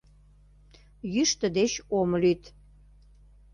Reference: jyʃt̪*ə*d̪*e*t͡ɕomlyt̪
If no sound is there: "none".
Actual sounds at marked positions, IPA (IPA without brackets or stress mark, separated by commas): ə, e